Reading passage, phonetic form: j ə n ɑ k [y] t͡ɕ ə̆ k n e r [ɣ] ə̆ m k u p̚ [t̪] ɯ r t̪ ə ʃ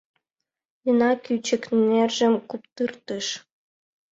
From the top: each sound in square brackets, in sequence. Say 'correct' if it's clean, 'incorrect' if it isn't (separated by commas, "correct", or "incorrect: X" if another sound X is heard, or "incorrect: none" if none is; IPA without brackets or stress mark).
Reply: correct, incorrect: ʒ, correct